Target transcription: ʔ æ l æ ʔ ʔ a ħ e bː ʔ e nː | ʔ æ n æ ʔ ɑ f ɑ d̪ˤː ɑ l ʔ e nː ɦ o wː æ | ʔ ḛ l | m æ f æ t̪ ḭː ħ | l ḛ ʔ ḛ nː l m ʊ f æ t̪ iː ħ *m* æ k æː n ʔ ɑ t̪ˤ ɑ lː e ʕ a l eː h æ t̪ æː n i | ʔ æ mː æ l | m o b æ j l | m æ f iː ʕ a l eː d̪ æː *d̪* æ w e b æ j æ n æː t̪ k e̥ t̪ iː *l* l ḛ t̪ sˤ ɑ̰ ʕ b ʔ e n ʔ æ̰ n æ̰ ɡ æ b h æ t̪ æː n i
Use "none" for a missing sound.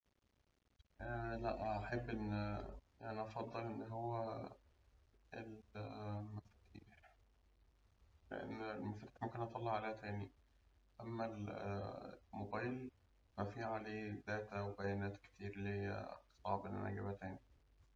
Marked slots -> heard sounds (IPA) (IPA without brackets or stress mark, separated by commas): m, t̪, ɾ